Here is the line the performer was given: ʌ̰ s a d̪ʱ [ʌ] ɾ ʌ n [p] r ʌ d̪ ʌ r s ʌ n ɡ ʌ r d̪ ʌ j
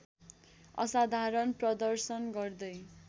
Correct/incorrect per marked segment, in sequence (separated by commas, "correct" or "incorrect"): incorrect, correct